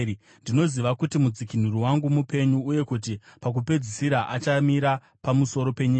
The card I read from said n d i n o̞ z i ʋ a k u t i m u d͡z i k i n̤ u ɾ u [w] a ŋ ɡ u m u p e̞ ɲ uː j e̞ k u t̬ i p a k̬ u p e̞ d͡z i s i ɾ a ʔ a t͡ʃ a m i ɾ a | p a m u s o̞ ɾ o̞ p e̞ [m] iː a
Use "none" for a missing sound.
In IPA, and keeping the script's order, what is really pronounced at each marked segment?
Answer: w, ɲ

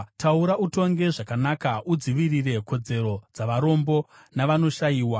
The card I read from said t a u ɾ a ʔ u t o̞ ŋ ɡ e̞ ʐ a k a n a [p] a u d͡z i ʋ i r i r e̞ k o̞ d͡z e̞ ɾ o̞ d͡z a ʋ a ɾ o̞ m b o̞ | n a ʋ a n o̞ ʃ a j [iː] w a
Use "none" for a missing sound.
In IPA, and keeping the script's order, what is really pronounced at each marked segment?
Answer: k, iː

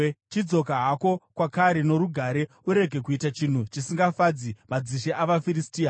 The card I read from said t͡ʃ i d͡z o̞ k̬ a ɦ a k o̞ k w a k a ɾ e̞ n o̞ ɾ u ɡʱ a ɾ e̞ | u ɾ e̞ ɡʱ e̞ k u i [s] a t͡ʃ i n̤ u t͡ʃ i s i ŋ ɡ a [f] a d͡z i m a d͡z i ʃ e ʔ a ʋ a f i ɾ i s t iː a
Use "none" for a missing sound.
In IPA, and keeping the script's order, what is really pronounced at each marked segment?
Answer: t, f

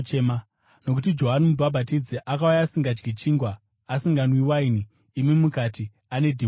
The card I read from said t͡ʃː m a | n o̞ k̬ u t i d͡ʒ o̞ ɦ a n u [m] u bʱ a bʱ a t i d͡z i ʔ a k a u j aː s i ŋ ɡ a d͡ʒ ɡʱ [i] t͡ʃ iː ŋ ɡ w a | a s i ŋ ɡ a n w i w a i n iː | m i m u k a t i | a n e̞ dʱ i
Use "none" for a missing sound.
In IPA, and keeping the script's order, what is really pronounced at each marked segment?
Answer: m, i

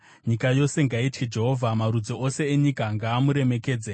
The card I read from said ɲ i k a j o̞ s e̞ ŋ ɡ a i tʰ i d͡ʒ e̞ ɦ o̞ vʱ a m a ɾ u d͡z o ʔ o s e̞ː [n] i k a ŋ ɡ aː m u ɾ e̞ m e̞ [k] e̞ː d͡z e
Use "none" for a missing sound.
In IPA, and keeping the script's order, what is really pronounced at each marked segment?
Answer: ɲ, k

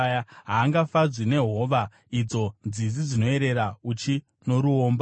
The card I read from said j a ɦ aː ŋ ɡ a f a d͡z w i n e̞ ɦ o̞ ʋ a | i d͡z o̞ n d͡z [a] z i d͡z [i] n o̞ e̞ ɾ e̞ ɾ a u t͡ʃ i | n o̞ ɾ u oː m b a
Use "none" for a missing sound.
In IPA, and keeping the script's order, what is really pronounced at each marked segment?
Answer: i, i

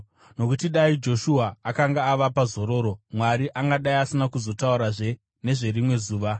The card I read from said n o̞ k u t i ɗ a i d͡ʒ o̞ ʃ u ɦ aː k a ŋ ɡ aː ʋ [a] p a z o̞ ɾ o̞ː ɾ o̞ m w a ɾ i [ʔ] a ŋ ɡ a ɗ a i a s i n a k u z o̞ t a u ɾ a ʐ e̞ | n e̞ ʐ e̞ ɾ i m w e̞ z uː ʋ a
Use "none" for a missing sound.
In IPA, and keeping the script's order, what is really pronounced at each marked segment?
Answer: a, ʔ

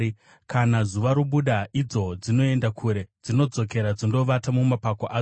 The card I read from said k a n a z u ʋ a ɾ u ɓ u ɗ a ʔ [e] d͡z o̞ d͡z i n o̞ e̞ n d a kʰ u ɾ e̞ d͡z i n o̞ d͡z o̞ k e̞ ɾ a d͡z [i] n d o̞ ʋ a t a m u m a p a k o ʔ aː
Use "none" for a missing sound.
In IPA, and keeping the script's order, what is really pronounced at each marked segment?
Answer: i, i

